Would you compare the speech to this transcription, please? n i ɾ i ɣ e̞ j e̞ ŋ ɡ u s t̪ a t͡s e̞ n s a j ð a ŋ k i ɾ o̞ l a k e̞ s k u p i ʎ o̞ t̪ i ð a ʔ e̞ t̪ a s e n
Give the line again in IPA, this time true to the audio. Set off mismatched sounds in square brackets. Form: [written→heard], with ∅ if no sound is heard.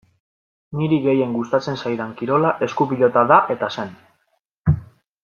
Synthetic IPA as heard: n i ɾ i ɣ e̞ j e̞ ŋ ɡ u s t̪ a t͡s e̞ n s a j ð a ŋ k i ɾ o̞ l a [k→ʔ] e̞ s k u p i ʎ o̞ t̪ [i→a] ð a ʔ e̞ t̪ a s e n